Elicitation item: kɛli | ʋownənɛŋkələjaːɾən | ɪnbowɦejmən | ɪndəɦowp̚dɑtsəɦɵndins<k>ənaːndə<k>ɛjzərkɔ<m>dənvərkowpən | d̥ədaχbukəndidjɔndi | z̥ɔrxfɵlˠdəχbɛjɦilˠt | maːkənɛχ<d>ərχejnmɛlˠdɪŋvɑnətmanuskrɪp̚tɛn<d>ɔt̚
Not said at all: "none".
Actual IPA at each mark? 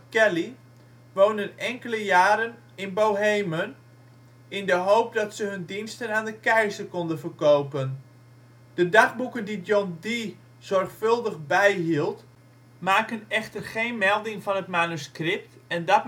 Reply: t, k, n, t, d

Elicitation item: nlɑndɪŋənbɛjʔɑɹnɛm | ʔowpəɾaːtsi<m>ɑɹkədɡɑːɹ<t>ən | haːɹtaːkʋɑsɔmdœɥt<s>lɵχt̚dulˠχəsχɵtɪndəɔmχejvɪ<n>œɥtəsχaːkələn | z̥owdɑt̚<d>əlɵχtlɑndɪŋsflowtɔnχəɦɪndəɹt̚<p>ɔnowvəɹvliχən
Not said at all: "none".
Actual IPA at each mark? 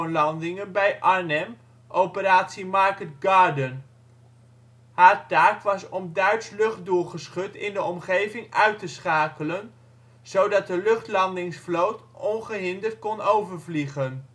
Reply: m, d, s, ŋ, d, k

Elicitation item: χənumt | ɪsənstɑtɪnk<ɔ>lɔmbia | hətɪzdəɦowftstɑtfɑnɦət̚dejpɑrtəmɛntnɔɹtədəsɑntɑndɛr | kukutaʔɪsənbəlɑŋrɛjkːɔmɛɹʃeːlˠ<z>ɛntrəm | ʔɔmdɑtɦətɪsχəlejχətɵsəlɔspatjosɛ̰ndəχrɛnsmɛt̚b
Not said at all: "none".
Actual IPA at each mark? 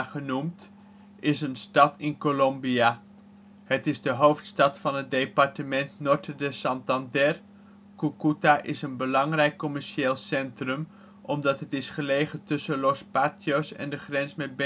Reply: o, s

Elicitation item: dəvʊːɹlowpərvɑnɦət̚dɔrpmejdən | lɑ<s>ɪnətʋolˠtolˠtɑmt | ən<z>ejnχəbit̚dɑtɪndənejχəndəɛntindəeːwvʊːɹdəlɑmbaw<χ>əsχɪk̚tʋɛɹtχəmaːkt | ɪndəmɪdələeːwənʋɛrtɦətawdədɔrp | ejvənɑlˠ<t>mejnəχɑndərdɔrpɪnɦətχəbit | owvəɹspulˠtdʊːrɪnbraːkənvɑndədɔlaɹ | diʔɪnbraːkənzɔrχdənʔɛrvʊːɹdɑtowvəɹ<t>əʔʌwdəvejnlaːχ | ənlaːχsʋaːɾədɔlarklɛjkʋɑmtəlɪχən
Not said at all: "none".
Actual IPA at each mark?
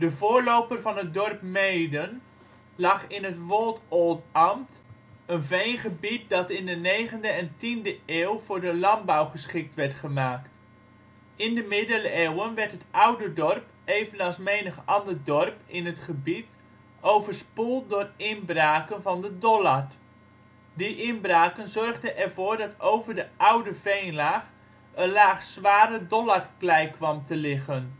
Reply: χ, v, χ, s, d

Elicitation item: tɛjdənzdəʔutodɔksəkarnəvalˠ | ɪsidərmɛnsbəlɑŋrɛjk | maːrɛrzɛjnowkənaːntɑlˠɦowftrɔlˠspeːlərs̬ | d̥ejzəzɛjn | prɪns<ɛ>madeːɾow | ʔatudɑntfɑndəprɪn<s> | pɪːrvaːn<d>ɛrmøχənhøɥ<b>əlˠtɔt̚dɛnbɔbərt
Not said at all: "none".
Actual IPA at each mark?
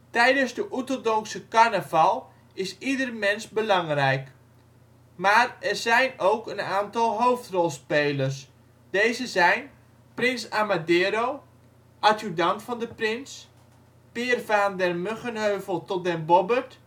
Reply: a, s, d, v

